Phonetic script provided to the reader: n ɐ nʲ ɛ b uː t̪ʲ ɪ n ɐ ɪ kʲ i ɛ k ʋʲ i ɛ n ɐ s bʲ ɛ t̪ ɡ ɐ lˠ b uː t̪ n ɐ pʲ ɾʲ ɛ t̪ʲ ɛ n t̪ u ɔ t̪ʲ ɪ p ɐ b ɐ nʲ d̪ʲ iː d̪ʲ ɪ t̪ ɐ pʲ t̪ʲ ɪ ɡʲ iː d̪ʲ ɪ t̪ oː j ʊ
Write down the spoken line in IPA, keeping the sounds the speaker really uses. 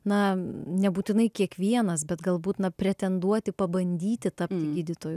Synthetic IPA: n ɐ nʲ ɛ b uː t̪ʲ ɪ n ɐ ɪ kʲ i ɛ k ʋʲ i ɛ n ɐ s bʲ ɛ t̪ ɡ ɐ lˠ b uː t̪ n ɐ pʲ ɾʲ ɛ t̪ʲ ɛ n d̪ u ɔ t̪ʲ ɪ p ɐ b ɐ nʲ d̪ʲ iː t̪ʲ ɪ t̪ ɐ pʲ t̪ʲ ɪ ɡʲ iː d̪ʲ ɪ t̪ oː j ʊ